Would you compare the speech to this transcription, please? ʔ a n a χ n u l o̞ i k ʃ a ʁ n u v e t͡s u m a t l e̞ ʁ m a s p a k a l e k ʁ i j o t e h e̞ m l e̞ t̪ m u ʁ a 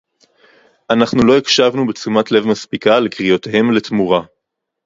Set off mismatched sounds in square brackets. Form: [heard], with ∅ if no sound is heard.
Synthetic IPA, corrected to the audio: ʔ a n a χ n u l o̞ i k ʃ a [v] n u [b] e t͡s u m a t l e̞ [v] m a s p [i] k a l e k ʁ i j o t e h e̞ m l e̞ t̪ m u ʁ a